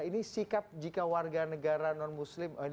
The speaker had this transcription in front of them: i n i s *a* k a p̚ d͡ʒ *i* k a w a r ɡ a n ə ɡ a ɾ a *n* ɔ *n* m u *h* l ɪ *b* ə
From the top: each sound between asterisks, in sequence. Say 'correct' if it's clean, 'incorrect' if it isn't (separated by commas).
incorrect, correct, correct, correct, incorrect, incorrect